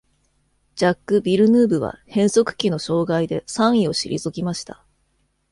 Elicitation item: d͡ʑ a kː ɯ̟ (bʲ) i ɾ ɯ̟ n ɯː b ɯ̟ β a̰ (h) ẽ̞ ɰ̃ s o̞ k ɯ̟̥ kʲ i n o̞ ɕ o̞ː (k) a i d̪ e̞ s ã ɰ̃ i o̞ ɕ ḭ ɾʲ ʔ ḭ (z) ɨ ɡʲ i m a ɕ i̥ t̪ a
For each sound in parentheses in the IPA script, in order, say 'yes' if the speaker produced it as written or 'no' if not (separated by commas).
yes, yes, no, yes